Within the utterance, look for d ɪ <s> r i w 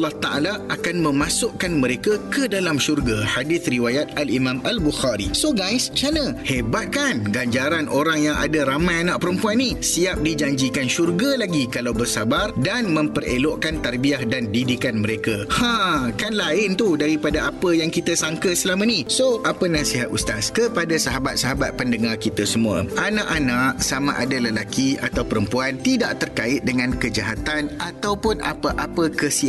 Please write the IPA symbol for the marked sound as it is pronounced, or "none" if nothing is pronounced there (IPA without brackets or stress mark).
θ